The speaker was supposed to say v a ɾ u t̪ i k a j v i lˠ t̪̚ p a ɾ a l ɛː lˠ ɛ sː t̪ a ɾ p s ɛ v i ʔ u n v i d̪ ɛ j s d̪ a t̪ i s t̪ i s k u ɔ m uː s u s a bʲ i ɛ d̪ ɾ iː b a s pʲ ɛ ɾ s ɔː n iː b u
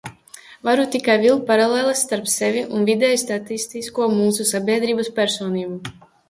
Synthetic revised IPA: v a ɾ u t̪ i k a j v i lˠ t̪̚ p a ɾ a l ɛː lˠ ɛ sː t̪ a ɾ p s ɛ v i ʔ u n v i d̪ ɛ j s t̪ a t̪ i s t̪ i s k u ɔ m uː s u s a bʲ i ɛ d̪ ɾ iː b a s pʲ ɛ ɾ s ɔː n iː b u